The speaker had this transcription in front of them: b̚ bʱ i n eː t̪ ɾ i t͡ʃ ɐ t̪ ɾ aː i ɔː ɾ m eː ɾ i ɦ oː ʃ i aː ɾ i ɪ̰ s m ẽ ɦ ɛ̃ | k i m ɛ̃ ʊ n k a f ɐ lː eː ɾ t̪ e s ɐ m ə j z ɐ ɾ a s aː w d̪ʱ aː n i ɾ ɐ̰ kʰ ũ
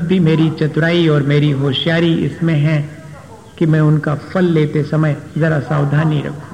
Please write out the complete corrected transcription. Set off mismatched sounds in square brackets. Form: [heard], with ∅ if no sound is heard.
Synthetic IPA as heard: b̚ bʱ i [m] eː [∅] ɾ i t͡ʃ ɐ t̪ ɾ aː i ɔː ɾ m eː ɾ i ɦ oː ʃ [j] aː ɾ i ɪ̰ s m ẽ ɦ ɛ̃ | k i m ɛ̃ ʊ n k a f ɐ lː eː [∅] t̪ e s ɐ m ə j z ɐ ɾ a s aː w d̪ʱ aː n i ɾ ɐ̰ kʰ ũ